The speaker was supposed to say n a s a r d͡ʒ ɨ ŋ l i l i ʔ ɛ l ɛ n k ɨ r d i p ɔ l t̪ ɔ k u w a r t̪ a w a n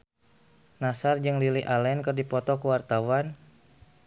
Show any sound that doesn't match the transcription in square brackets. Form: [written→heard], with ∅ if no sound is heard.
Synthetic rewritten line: n a s a r d͡ʒ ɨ ŋ l i l i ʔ [ɛ→a] l ɛ n k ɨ r d i p ɔ [l→∅] t̪ ɔ k u w a r t̪ a w a n